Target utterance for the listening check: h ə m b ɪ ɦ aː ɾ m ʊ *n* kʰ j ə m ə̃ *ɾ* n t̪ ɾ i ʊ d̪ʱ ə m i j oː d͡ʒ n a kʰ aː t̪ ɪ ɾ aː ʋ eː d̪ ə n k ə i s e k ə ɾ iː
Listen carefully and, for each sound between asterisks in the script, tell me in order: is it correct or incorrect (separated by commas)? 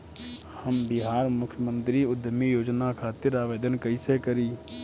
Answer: incorrect, incorrect